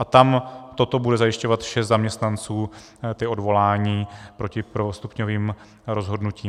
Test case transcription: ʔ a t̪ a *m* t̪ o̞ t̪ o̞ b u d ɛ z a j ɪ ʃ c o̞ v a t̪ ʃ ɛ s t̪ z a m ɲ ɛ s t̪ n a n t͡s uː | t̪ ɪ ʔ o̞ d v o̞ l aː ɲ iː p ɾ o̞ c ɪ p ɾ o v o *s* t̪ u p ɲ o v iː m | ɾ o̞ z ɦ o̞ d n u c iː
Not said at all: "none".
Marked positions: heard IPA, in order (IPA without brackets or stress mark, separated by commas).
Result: m, s